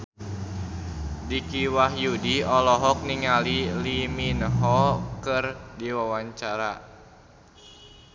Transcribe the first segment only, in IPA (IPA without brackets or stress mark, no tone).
d